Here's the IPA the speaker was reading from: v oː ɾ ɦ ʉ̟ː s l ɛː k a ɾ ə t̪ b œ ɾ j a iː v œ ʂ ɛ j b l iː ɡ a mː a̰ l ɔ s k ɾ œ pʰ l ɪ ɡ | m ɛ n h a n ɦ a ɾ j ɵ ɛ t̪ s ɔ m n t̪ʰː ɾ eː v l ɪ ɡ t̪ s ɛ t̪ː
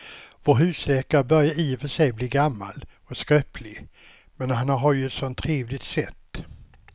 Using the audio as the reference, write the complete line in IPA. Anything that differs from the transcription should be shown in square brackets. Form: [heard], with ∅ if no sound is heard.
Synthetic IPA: v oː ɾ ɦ ʉ̟ː s l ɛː k a ɾ ə [∅] b œ ɾ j a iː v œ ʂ ɛ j b l iː ɡ a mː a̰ l ɔ s k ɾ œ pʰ l ɪ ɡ | m ɛ n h a n ɦ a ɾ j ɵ ɛ t̪ s ɔ [∅] n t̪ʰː ɾ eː v l ɪ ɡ t̪ s ɛ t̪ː